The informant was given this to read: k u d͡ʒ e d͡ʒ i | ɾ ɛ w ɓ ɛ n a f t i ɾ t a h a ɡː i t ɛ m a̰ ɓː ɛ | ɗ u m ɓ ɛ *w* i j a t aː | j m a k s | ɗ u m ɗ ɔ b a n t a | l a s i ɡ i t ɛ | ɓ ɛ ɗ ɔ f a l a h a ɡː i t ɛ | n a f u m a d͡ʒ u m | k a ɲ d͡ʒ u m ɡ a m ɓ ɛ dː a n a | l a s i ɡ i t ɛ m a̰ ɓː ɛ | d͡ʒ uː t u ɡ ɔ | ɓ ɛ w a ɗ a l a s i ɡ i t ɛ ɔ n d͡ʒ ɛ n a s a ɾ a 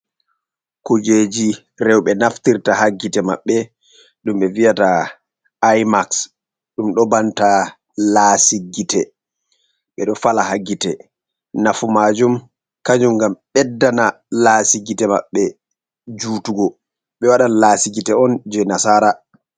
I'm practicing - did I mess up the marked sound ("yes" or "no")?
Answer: yes